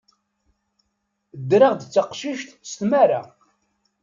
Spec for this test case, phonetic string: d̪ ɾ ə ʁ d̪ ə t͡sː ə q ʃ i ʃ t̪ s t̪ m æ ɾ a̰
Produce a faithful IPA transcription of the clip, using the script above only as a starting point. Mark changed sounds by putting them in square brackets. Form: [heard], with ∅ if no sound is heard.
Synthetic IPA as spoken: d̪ ɾ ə ʁ d̪ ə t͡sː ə q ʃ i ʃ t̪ s t̪ m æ ɾ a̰